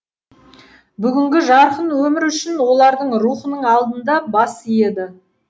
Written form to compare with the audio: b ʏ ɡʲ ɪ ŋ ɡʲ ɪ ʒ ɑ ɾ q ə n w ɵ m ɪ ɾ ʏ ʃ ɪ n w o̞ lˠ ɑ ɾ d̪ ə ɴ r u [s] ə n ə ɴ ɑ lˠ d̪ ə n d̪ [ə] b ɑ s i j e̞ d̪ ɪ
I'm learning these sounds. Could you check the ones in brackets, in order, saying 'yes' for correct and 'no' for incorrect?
no, no

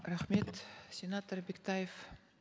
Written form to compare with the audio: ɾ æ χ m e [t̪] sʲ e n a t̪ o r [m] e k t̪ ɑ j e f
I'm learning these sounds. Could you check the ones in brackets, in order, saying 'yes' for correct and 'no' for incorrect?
yes, no

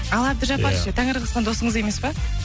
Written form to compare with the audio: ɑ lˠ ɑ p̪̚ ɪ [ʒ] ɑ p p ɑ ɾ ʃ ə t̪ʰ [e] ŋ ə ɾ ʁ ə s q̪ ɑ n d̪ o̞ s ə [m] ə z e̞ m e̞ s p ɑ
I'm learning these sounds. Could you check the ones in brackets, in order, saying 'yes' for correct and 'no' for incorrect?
yes, no, no

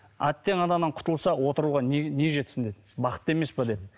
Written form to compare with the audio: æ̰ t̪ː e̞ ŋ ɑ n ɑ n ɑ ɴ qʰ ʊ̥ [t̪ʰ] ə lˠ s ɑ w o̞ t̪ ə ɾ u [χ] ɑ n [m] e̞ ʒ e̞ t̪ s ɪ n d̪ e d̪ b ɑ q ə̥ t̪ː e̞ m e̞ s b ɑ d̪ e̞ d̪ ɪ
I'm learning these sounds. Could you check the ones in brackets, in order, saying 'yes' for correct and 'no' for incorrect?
no, no, no

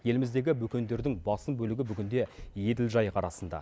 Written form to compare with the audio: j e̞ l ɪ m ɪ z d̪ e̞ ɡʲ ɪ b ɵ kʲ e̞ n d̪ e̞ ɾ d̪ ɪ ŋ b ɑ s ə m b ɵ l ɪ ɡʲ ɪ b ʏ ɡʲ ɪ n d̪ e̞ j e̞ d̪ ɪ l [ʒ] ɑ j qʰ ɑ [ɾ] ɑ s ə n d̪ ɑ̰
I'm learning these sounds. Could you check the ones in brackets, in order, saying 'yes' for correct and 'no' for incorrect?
yes, yes

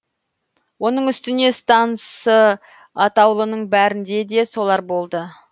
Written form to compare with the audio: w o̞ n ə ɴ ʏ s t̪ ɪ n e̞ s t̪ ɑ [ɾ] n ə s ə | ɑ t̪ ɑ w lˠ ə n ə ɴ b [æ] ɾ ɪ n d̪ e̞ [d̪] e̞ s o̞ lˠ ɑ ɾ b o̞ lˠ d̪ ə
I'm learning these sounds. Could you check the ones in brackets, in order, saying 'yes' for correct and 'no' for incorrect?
no, yes, yes

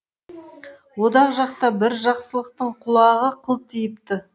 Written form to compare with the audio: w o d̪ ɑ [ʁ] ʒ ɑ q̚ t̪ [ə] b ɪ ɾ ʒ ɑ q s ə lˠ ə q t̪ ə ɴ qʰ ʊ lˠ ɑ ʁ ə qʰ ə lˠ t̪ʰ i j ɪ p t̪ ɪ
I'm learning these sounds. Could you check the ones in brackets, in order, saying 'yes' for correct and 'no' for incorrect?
yes, no

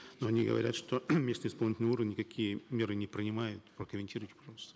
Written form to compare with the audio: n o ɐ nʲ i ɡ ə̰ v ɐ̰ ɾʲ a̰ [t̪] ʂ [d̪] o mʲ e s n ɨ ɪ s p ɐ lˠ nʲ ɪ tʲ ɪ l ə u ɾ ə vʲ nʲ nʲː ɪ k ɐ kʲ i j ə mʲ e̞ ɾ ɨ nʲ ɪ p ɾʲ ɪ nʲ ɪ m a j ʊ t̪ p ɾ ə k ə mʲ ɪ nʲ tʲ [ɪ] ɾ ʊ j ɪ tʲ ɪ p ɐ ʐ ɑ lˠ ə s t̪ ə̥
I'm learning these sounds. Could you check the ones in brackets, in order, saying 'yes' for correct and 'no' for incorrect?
yes, no, no

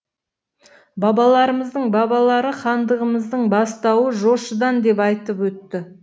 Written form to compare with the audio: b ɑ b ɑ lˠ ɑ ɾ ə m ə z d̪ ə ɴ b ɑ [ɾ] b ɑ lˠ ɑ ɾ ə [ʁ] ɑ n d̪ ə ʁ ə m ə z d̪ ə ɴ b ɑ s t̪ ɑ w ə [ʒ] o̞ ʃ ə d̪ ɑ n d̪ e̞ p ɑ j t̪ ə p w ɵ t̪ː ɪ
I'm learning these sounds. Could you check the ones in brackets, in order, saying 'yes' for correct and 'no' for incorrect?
no, no, yes

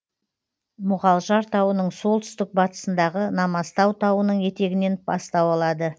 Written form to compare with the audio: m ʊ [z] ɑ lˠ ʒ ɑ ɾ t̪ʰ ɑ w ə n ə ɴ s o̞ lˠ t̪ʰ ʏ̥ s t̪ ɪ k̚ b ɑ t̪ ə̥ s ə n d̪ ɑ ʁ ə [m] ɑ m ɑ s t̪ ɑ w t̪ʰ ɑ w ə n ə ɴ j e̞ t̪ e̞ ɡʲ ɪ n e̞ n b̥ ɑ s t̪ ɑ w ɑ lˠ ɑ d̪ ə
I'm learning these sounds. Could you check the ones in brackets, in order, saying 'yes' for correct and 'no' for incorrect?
no, no

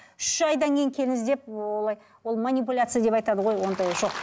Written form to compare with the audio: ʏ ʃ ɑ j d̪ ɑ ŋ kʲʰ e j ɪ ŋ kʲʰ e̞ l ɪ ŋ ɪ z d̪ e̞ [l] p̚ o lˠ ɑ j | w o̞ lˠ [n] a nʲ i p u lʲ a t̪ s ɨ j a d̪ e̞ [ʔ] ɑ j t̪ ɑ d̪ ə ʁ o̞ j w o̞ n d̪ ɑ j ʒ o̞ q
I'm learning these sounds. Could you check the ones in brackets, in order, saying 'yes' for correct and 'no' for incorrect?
no, no, no

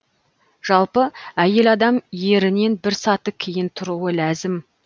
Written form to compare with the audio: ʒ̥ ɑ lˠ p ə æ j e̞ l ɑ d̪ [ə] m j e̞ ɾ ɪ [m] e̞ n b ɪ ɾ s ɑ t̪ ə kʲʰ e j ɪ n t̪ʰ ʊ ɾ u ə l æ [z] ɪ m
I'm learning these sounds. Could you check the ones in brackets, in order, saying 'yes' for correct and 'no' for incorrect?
no, no, yes

